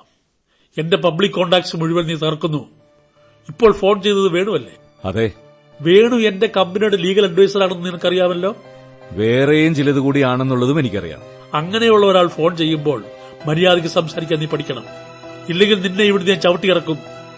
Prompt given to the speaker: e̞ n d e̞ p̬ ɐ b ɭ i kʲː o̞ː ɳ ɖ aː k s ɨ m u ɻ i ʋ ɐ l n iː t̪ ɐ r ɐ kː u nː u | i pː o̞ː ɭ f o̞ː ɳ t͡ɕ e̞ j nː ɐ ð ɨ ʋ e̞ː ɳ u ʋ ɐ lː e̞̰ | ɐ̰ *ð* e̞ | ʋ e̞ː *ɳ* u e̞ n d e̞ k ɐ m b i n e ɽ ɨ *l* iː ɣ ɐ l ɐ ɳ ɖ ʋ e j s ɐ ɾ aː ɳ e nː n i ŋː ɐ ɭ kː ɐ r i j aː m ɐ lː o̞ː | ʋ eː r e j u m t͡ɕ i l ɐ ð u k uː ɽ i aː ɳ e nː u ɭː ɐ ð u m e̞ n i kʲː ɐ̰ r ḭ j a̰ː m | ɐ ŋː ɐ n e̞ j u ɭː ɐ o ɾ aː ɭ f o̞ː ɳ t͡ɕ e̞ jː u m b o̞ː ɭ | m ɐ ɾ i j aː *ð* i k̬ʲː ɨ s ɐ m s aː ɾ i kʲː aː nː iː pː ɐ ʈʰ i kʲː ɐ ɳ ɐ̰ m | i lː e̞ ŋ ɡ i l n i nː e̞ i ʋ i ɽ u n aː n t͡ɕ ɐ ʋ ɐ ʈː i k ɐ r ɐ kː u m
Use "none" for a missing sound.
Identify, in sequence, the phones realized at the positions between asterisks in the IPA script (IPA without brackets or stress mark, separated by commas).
ð, ɳ, l, ð